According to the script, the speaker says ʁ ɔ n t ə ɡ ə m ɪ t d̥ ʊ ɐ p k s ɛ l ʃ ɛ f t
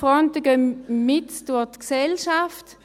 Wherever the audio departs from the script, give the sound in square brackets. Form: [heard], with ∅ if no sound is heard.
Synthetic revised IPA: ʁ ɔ n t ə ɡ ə m ɪ t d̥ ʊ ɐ [t] k s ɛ l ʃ [a] f t